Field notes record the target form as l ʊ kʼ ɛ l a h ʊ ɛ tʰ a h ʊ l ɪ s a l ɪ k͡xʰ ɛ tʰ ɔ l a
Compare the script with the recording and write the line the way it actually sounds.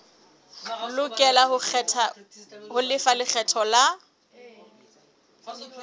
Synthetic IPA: l ʊ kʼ ɛ l a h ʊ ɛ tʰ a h ʊ l ɪ f a l ɪ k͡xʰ ɛ tʰ ɔ l a